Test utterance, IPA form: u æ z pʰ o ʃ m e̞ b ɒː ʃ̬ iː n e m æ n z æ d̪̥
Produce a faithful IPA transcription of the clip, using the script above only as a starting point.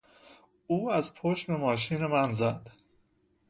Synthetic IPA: uː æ z pʰ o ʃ m e̞ m ɒː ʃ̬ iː n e m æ n z æ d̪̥

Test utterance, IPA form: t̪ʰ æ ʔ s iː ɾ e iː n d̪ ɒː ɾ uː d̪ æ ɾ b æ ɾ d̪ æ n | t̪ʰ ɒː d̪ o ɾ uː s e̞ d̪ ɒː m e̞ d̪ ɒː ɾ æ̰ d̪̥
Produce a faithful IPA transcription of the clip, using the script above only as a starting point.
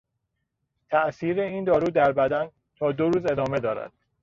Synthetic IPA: t̪ʰ æ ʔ s iː ɾ e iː n d̪ ɒː ɾ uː d̪ æ ɾ b æ d̪ æ n | t̪ʰ ɒː d̪ o ɾ uː z e̞ d̪ ɒː m e̞ d̪ ɒː ɾ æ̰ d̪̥

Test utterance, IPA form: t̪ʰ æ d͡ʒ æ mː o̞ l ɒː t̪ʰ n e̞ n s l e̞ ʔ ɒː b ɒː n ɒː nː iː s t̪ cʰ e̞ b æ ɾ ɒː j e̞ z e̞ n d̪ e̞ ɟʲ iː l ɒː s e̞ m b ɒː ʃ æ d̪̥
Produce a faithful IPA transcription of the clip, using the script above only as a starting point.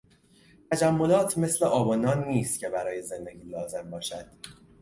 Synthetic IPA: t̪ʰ æ d͡ʒ æ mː o̞ l ɒː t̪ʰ m e̞ s l e̞ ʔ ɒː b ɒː n ɒː nː iː s t̪ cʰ e̞ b æ ɾ ɒː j e̞ z e̞ n d̪ e̞ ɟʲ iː l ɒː z e̞ m b ɒː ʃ æ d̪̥

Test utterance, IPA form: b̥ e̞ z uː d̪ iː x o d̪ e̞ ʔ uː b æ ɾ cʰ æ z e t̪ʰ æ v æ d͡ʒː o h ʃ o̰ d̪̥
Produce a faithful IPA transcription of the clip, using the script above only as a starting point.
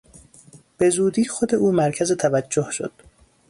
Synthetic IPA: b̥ e̞ z uː d̪ iː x o d̪ e̞ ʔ uː m æ ɾ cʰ æ z e t̪ʰ æ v æ d͡ʒː o h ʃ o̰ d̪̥

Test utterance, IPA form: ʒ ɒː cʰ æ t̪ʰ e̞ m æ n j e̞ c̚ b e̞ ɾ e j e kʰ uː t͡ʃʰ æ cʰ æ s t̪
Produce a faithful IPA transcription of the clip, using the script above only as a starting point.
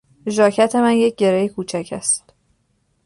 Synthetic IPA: ʒ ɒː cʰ æ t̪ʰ e̞ m æ n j e̞ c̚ ɟ e̞ ɾ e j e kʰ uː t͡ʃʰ æ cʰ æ s t̪

